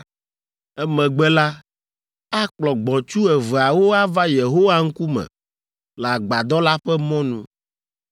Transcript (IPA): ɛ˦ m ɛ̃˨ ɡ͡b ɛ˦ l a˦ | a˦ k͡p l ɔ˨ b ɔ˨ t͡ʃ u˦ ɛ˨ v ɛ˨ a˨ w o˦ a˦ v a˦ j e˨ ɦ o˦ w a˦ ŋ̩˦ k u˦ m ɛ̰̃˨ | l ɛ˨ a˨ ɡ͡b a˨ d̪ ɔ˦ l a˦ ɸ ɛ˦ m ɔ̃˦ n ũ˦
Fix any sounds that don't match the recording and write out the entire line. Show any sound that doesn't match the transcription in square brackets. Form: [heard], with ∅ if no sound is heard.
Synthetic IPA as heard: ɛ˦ m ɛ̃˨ ɡ͡b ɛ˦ l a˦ | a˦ k͡p l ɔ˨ [ɡ͡b] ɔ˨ t͡ʃ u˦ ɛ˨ v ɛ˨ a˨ w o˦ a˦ v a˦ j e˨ ɦ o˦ w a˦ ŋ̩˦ k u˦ m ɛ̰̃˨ | l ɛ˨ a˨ ɡ͡b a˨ d̪ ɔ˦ l a˦ ɸ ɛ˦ m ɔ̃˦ n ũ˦